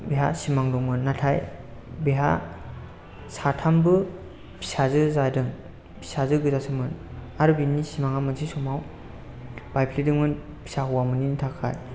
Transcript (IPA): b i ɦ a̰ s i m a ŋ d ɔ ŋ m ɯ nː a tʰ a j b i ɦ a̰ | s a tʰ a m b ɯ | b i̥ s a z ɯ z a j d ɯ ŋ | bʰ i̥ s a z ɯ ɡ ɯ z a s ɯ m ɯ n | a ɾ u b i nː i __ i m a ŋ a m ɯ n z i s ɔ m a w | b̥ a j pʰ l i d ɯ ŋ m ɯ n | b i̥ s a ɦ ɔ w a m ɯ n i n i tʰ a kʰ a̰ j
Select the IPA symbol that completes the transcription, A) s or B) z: A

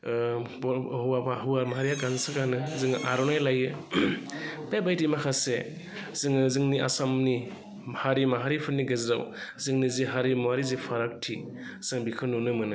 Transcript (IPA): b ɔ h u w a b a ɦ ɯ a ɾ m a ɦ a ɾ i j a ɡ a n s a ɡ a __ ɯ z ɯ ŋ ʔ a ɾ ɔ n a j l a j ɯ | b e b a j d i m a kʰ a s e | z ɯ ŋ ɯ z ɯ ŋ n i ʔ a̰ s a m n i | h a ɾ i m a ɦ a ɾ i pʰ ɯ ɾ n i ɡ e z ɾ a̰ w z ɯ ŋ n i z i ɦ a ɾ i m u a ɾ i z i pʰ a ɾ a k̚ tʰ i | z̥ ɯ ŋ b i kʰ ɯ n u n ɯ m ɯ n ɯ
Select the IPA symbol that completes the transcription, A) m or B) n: B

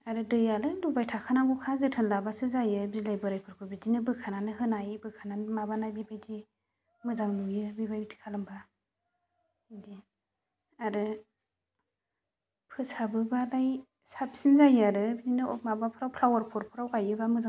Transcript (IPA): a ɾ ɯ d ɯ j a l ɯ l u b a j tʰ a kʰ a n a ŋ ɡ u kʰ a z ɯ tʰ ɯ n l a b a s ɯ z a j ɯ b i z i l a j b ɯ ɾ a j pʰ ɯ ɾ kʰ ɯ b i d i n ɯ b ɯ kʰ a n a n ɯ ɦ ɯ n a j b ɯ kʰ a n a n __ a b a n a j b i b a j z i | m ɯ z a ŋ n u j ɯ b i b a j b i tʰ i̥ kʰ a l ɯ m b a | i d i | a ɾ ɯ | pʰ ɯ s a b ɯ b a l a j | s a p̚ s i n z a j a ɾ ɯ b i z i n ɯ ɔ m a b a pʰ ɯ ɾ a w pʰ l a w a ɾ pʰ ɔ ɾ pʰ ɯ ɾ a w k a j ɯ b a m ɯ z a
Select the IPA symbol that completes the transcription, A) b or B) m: B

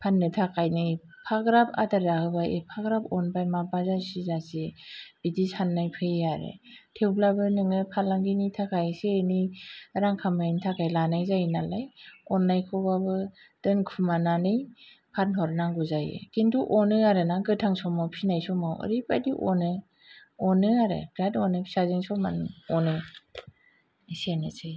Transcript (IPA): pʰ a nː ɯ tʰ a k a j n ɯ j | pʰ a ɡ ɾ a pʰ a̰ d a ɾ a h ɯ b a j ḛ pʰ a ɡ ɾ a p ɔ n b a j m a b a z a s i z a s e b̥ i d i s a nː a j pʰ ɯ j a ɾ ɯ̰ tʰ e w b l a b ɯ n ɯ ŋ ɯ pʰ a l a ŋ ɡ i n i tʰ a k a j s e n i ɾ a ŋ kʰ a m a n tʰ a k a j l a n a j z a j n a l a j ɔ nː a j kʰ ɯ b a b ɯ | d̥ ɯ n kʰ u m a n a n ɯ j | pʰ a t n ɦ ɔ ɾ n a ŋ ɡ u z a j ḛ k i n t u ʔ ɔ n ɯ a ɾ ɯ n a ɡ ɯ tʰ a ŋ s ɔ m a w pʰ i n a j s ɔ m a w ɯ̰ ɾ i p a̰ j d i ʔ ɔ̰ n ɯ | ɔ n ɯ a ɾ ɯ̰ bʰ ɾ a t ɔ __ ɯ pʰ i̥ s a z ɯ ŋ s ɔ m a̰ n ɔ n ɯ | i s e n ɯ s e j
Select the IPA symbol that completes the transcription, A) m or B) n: B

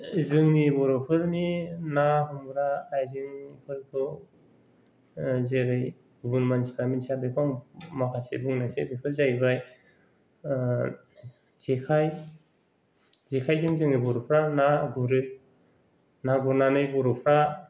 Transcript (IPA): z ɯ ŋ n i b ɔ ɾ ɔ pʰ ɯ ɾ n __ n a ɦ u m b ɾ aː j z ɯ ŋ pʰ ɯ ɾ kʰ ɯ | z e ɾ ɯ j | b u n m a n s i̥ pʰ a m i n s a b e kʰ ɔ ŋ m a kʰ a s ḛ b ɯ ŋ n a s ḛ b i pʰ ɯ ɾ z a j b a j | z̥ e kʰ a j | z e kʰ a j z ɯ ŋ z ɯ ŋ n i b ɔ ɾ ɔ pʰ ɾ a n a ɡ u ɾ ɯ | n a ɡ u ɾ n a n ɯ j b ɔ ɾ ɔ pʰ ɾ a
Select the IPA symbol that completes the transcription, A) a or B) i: B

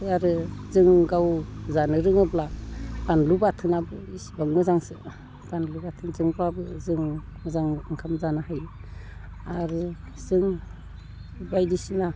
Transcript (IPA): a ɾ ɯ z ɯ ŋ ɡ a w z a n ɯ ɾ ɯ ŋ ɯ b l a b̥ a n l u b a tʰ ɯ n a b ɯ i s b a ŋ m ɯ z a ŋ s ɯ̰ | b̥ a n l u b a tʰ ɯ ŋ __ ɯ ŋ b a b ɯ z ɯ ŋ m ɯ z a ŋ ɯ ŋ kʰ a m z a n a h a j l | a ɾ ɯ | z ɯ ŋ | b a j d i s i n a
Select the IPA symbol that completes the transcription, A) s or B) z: B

